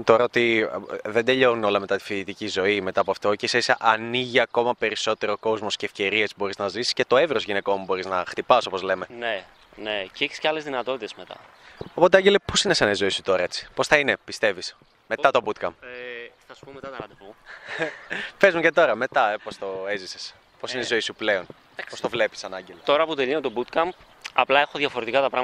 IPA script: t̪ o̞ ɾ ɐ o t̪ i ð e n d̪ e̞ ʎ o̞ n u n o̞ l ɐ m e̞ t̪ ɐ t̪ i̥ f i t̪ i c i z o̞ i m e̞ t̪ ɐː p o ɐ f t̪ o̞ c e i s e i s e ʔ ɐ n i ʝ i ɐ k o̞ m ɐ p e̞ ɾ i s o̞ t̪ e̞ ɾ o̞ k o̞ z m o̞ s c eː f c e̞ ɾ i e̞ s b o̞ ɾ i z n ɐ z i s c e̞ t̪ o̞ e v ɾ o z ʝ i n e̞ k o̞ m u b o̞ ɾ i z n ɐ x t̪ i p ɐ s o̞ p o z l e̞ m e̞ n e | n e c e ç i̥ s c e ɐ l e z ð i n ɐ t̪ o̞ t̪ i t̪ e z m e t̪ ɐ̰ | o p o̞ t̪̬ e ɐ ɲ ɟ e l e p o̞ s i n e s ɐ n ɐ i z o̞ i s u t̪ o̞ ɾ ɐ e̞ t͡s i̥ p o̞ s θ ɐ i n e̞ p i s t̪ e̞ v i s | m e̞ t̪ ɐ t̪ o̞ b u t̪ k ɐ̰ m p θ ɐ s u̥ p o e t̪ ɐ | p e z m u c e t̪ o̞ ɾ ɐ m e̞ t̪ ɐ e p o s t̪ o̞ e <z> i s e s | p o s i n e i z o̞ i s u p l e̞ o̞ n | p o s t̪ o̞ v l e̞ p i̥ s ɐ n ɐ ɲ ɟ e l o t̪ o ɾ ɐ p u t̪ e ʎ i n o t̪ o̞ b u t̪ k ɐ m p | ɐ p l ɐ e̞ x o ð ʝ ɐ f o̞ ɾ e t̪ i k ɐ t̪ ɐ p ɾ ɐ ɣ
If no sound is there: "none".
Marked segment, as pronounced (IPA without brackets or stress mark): z